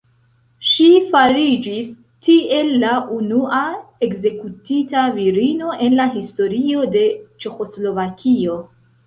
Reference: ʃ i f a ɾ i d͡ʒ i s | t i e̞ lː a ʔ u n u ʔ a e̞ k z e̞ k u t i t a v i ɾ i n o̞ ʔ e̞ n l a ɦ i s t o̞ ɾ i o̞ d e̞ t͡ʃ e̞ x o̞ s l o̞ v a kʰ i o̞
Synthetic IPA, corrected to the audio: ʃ i f a ɾ i d͡ʒ i s | t i e̞ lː a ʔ u n u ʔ a e̞ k z e̞ k u t i t a v i ɾ i n o̞ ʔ e̞ n l a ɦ i s t o̞ ɾ i o̞ d e̞ t͡ʃ e̞ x o̞ s l o̞ v a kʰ i o̞